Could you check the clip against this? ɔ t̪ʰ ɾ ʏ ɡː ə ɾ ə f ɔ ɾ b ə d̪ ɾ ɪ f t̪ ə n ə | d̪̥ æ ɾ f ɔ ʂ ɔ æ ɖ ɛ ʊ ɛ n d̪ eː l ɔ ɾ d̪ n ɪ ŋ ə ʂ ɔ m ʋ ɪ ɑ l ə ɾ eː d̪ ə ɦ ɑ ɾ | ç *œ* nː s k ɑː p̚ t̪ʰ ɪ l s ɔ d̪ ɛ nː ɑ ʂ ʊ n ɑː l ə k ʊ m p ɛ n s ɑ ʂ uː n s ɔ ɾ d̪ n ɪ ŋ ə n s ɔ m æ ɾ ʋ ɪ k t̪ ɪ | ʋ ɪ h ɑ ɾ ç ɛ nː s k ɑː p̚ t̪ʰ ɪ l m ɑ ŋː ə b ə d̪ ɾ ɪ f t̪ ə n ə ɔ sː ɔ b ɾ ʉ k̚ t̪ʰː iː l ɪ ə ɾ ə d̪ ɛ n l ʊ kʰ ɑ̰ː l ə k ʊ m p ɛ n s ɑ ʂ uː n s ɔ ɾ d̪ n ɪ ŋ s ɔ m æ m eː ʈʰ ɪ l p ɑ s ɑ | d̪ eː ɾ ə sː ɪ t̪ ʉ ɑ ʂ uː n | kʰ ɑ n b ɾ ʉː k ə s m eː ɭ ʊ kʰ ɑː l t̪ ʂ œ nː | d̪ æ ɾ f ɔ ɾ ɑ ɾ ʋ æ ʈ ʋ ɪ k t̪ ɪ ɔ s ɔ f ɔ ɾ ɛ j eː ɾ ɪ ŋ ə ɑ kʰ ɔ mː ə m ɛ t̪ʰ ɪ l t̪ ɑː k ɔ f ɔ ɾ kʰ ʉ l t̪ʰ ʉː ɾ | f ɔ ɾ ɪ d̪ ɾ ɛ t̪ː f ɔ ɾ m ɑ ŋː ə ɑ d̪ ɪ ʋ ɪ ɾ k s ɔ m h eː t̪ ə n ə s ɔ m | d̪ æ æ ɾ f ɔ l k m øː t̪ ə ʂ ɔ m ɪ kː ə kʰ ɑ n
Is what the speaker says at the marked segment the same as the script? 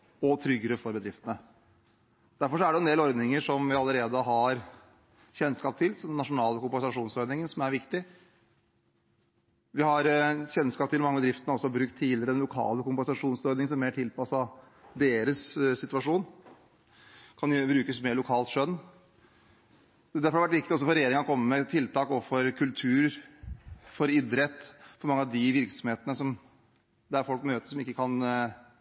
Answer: no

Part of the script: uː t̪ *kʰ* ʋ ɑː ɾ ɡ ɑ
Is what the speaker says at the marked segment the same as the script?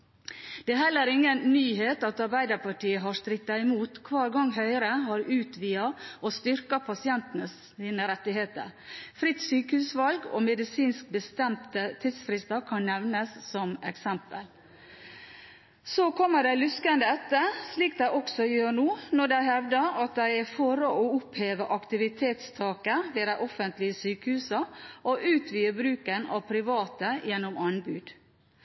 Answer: yes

